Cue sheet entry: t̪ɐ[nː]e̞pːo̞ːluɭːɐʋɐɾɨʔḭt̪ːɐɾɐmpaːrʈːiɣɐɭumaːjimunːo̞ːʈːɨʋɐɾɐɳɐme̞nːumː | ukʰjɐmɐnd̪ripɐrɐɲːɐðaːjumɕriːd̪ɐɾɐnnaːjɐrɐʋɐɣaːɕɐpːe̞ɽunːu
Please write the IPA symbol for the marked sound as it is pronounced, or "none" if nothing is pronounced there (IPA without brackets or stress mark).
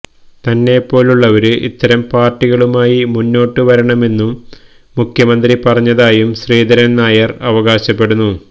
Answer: nː